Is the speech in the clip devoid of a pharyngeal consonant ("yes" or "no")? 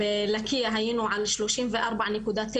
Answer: no